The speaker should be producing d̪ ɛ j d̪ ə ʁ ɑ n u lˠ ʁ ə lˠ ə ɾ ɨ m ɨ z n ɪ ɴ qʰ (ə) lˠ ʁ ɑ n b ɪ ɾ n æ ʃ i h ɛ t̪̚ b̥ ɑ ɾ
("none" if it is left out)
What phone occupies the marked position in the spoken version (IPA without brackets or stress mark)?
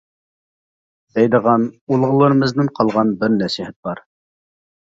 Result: ɑ